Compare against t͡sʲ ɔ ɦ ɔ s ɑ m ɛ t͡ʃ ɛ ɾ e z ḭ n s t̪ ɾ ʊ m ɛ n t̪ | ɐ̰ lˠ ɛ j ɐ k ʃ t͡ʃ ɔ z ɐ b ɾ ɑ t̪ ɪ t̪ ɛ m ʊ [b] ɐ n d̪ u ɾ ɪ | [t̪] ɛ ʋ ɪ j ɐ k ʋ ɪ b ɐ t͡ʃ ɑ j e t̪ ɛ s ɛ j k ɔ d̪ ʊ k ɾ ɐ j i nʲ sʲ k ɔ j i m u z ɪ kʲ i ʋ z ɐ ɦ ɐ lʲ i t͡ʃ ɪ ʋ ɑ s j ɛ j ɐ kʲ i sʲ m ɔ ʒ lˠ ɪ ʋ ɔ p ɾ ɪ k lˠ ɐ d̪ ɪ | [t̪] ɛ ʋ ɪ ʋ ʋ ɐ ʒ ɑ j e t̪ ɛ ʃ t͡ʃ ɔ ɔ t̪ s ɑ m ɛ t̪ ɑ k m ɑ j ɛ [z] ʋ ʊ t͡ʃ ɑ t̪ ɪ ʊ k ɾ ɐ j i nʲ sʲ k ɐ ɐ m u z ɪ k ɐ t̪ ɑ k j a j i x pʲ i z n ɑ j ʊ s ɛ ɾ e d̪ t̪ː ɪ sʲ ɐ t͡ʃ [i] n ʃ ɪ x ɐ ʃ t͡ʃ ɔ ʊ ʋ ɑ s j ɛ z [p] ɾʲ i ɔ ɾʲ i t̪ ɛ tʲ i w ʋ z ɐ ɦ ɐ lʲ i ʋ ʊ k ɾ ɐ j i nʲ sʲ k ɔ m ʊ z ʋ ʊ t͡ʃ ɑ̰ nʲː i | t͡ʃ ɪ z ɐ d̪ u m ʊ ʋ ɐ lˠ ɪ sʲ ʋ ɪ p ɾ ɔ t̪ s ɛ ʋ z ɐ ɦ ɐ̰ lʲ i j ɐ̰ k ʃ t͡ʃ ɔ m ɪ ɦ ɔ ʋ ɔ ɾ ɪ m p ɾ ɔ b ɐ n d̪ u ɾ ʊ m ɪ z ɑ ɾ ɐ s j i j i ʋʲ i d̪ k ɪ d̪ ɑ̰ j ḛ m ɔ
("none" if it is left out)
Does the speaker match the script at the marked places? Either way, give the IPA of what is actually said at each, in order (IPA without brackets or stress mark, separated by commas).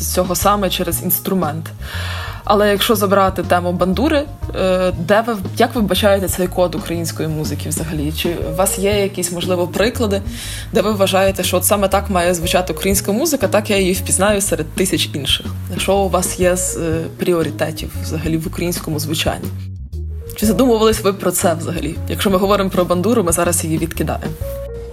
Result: b, d̪, d̪, z, i, p